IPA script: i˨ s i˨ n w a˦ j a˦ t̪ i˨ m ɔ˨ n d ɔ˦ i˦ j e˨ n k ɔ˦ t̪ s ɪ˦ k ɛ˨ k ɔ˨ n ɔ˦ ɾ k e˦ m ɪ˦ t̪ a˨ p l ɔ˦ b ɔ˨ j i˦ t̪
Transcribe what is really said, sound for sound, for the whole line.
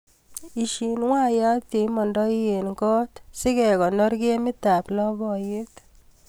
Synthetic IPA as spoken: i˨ ʃ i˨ n w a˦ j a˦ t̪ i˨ m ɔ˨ n d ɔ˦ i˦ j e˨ n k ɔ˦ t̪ s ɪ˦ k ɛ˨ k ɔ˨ n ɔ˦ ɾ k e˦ m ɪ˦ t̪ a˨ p l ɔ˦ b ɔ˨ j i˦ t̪